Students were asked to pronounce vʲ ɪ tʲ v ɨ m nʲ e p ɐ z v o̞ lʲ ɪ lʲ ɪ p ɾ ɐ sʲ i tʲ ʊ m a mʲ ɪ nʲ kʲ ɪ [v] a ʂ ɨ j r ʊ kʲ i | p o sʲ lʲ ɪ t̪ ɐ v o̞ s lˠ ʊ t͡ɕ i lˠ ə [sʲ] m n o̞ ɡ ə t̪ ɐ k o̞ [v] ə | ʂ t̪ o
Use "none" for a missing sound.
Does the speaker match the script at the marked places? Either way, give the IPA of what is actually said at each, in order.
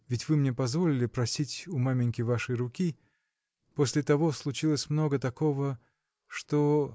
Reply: v, sʲ, v

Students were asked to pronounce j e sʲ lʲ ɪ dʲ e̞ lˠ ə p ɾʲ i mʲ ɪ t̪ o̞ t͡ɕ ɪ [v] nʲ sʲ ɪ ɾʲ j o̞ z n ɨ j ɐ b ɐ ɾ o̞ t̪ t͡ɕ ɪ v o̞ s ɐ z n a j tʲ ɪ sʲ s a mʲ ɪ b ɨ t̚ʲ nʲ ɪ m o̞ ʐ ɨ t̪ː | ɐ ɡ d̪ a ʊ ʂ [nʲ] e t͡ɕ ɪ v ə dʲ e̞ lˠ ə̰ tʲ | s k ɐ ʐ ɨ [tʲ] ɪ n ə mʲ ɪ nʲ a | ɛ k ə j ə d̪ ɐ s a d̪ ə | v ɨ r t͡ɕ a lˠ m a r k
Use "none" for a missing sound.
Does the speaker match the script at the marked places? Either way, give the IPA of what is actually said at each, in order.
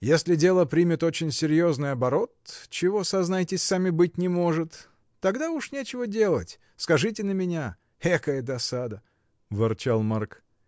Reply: none, nʲ, tʲ

